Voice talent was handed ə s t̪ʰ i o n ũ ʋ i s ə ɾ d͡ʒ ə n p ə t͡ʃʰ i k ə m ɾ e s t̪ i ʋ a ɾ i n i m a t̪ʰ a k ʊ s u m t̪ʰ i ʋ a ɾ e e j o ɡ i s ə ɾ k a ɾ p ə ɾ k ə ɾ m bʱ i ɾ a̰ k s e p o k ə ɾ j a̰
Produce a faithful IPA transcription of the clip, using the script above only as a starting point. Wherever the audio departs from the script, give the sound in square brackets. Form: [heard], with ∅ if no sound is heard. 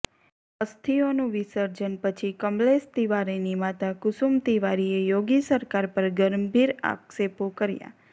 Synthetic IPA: ə s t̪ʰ i o n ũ ʋ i s ə ɾ d͡ʒ ə n p ə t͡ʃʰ i k ə m [l] e s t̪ i ʋ a ɾ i n i m a [t̪] a k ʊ s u m [t̪] i ʋ a ɾ [i] e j o ɡ i s ə ɾ k a ɾ p ə ɾ [ɡ] ə ɾ m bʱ i ɾ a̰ k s e p o k ə ɾ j a̰